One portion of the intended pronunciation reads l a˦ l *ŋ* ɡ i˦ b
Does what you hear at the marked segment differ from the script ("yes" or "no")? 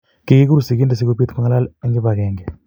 no